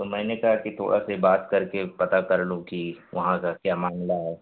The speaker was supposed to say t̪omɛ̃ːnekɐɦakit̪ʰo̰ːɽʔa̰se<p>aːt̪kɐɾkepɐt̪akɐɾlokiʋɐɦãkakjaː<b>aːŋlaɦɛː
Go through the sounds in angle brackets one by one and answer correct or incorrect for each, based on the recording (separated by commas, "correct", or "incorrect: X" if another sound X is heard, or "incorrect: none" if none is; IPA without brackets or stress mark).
incorrect: b, incorrect: m